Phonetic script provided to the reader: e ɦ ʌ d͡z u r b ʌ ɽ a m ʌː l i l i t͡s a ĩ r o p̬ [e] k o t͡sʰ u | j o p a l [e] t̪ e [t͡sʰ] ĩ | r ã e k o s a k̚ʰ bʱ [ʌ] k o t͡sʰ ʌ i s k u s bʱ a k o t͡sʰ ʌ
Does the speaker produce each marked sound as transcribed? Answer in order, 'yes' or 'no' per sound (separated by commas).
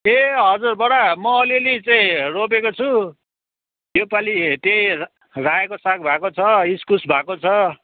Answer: yes, no, no, no